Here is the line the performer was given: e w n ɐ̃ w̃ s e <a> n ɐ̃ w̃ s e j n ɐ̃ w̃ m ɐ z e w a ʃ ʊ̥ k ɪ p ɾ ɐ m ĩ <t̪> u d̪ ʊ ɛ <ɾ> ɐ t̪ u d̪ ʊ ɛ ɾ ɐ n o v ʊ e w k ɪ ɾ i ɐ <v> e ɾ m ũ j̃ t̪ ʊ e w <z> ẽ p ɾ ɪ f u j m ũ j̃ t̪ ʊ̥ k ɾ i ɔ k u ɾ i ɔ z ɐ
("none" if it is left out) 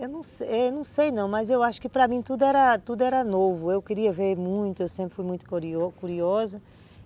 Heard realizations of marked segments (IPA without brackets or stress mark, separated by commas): ɛ, t̪, ɾ, v, s